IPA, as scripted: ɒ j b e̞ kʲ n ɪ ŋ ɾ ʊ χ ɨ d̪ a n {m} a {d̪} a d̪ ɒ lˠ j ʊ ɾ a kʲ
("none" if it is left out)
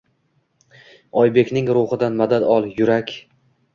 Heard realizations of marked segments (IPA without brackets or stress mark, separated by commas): m, d̪